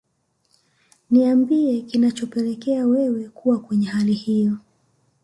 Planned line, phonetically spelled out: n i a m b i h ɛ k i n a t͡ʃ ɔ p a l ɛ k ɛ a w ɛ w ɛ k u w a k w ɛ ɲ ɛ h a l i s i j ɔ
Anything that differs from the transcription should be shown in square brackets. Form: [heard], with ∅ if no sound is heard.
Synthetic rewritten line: n i a m b i [∅] ɛ k i n a t͡ʃ ɔ p [ɛ] l ɛ k ɛ a w ɛ w ɛ k u w a k w ɛ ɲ ɛ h a l i [h] i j ɔ